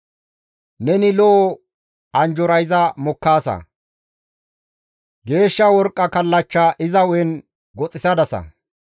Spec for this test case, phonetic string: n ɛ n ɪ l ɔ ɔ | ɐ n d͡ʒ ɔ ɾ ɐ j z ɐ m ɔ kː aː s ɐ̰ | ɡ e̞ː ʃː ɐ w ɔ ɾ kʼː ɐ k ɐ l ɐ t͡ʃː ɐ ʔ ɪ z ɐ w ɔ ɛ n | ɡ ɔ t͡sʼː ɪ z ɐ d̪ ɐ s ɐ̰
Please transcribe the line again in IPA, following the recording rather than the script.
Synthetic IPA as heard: n ɛ n ɪ l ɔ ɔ | ɐ n d͡ʒ ɔ ɾ ɐ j z ɐ m ɔ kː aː s ɐ̰ | ɡ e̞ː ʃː ɐ w ɔ ɾ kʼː ɐ k ɐ lː ɐ t͡ʃː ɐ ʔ ɪ z ɐ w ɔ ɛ n | ɡ ɔ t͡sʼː ɪ s ɐ d̪ ɐ s ɐ̰